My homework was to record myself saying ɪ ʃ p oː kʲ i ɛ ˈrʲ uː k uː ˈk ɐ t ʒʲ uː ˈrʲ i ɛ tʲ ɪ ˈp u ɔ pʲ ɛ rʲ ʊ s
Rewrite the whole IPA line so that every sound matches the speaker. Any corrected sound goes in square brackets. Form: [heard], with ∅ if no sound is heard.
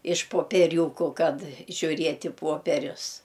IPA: ɪ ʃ p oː [pʲ] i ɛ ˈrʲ uː k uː ˈk ɐ t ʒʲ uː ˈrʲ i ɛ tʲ ɪ ˈp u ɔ pʲ ɛ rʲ ʊ s

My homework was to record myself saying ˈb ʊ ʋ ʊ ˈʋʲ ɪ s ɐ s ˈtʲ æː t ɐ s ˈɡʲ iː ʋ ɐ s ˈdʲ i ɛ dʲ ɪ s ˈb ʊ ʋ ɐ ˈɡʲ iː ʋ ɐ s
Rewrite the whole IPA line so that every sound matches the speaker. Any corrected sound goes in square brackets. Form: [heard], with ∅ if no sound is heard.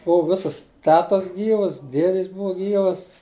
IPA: ˈb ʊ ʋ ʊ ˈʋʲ ɪ s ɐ s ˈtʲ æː t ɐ s ˈɡʲ iː ʋ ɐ s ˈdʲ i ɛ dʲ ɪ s ˈb ʊ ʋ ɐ ˈɡʲ iː ʋ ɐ s

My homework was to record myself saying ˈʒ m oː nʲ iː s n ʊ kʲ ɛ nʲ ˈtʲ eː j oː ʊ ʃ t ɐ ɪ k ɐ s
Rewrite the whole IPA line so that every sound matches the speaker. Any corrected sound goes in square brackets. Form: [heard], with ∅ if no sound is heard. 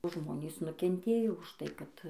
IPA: ˈʒ m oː nʲ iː s n ʊ kʲ ɛ nʲ ˈtʲ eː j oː ʊ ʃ t ɐ ɪ k ɐ [t]

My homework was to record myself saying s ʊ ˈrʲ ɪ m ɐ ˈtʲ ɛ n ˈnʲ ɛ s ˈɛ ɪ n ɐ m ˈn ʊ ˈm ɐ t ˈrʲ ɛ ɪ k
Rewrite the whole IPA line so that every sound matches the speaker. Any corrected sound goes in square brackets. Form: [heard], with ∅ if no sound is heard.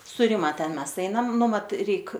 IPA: s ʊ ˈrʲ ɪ m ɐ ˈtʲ ɛ n [ˈmʲ] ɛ s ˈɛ ɪ n ɐ m ˈn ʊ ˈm ɐ t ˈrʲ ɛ ɪ k

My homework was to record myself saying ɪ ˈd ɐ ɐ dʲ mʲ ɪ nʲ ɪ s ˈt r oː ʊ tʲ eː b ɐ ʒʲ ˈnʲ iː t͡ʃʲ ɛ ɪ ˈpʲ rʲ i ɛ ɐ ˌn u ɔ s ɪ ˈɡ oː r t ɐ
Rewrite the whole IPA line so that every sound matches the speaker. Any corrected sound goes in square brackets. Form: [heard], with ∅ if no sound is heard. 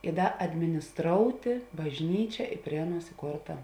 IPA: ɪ ˈd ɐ ɐ dʲ mʲ ɪ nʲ ɪ s ˈt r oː ʊ tʲ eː b ɐ ʒʲ ˈnʲ iː t͡ʃʲ ɛ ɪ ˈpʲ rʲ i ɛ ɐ ˌn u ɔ s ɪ [ˈk] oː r t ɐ

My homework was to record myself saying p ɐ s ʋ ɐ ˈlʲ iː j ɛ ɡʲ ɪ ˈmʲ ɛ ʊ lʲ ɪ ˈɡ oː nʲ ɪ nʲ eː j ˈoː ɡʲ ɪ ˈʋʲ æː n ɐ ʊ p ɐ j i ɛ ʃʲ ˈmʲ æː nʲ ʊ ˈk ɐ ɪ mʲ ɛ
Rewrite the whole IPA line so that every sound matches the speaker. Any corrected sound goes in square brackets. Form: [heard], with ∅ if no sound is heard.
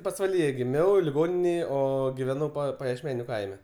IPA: p ɐ s ʋ ɐ ˈlʲ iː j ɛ ɡʲ ɪ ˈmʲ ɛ ʊ lʲ ɪ ˈɡ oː nʲ ɪ nʲ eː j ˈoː ɡʲ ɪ ˈʋʲ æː n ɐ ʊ p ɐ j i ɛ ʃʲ ˈmʲ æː nʲ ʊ ˈk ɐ ɪ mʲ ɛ

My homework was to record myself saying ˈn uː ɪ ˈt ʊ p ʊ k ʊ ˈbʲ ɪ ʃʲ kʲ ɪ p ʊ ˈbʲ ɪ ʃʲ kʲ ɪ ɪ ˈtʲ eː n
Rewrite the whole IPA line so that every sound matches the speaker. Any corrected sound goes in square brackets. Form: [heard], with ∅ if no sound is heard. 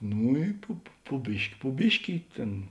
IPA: ˈn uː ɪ [ˈp] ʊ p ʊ [p] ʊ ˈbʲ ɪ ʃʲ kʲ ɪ p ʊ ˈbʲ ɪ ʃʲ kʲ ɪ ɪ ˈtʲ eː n

